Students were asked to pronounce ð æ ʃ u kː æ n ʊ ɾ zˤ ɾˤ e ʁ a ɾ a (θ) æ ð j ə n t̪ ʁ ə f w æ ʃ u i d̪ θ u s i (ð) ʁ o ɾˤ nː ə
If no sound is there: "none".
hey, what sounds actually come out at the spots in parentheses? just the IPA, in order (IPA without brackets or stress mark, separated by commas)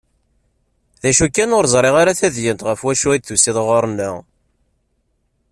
θ, ð